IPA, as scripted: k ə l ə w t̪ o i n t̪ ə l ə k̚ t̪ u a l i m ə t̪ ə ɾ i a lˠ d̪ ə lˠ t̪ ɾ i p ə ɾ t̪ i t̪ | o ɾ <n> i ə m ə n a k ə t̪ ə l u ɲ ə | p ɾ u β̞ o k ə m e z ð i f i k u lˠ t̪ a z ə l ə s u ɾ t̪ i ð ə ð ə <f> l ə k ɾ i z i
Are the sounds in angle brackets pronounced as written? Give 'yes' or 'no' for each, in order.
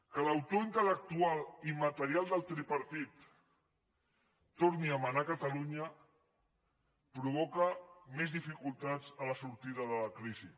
yes, no

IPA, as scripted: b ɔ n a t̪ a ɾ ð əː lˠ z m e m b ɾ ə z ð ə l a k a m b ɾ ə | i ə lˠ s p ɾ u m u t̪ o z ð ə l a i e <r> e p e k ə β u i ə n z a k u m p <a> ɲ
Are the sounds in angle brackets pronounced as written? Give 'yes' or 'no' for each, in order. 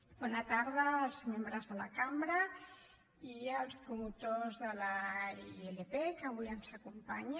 no, yes

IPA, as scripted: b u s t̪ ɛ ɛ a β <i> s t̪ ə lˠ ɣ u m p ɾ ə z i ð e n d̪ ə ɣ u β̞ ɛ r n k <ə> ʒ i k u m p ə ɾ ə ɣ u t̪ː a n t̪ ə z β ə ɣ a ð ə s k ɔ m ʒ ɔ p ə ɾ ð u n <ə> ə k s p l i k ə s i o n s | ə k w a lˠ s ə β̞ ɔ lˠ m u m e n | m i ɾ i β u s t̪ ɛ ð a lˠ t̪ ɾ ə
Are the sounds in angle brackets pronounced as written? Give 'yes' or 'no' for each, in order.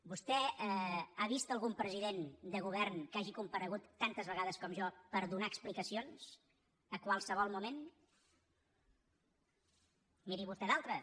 yes, no, no

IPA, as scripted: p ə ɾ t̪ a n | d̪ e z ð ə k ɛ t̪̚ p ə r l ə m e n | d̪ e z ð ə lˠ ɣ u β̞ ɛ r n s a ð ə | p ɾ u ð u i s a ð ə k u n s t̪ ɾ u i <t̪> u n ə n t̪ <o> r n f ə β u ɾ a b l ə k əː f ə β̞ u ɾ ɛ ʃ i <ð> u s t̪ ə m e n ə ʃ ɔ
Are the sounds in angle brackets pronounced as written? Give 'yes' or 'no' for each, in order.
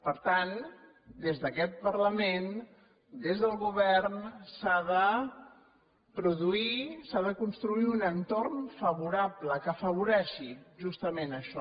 no, yes, no

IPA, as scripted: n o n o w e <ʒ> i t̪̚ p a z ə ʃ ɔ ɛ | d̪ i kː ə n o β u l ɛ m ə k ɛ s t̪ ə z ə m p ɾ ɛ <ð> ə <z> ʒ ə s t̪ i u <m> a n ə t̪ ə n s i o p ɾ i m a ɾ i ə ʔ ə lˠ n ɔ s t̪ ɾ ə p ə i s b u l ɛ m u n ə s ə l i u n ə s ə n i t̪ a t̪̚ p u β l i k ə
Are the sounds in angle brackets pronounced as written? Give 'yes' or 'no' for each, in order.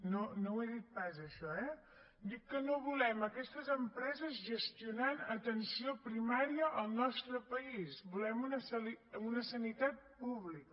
no, no, yes, no

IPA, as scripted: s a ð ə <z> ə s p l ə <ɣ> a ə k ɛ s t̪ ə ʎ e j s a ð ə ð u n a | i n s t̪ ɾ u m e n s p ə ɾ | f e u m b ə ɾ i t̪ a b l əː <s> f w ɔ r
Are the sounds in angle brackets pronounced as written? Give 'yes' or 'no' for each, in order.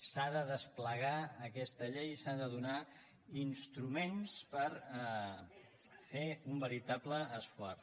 no, yes, yes

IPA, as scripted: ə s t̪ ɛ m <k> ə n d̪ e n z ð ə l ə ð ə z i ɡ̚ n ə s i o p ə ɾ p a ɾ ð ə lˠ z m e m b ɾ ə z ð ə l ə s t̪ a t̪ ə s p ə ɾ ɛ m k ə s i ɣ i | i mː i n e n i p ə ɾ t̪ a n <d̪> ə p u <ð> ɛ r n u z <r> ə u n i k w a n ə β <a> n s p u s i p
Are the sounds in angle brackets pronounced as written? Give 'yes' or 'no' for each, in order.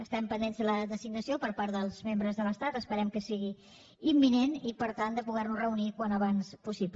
no, yes, no, yes, yes

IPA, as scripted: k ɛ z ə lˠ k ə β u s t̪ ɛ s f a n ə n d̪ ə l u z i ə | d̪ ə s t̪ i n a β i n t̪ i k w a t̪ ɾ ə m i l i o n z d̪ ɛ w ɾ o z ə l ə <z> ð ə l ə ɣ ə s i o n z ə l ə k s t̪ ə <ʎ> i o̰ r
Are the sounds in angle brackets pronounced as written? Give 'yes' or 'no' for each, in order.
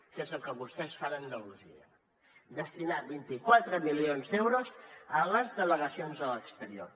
yes, no

